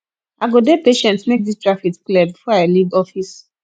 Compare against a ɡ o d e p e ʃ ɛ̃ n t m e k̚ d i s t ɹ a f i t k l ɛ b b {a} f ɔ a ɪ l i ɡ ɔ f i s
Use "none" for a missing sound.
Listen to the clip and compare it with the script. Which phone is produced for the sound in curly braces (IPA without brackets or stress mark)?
i